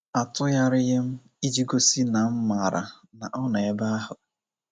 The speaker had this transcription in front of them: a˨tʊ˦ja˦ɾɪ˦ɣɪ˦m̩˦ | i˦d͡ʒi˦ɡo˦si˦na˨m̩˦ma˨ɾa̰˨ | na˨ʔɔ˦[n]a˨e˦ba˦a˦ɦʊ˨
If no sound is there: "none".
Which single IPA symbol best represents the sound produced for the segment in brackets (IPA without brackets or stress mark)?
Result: n